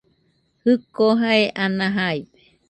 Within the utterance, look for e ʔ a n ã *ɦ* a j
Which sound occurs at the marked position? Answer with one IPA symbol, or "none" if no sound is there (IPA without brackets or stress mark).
ɦ